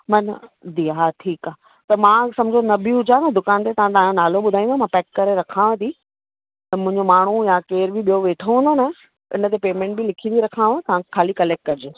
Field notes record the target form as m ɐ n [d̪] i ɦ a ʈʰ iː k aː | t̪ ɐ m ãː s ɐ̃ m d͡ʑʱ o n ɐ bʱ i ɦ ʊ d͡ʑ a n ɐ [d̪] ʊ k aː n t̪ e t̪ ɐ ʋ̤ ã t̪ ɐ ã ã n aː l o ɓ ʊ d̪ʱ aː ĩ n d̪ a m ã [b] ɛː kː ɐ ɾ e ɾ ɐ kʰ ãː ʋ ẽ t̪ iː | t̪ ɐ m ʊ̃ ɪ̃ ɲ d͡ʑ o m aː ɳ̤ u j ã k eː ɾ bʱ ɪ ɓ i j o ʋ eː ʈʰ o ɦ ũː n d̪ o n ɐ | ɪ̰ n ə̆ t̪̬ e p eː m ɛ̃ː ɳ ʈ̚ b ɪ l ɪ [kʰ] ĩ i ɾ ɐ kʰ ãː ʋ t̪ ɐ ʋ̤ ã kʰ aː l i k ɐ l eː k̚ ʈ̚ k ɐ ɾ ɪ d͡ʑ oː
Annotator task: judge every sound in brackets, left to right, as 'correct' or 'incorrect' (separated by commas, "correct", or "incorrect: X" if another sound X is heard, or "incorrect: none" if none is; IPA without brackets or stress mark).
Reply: correct, correct, incorrect: p, correct